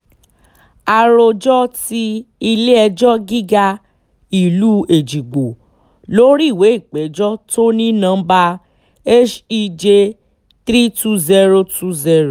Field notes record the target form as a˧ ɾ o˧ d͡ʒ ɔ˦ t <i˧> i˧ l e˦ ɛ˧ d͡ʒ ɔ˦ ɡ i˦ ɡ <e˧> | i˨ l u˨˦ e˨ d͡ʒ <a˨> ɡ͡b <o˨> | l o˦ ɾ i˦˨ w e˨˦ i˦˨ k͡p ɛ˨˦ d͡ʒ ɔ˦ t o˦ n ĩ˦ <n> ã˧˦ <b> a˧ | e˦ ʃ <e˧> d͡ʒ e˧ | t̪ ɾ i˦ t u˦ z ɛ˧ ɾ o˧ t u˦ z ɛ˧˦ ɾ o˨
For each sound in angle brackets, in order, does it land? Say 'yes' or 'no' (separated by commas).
yes, no, no, yes, yes, yes, no